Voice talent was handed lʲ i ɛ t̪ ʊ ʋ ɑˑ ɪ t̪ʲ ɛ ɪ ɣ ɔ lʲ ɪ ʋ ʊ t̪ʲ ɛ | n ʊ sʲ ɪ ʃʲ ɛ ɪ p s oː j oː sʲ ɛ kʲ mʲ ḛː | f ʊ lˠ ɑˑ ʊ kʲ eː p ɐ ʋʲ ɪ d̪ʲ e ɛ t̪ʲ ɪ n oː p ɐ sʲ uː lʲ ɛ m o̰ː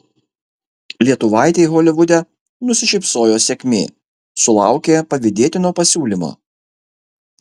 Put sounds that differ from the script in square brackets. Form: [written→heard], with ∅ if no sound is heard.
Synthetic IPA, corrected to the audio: lʲ i ɛ t̪ ʊ ʋ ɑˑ ɪ t̪ʲ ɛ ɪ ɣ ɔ lʲ ɪ ʋ ʊ [t̪ʲ→d̪ʲ] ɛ | n ʊ sʲ ɪ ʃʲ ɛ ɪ p s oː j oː sʲ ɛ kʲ mʲ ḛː | [f→s] ʊ lˠ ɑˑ ʊ kʲ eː p ɐ ʋʲ ɪ d̪ʲ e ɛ t̪ʲ ɪ n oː p ɐ sʲ uː lʲ [ɛ→i] m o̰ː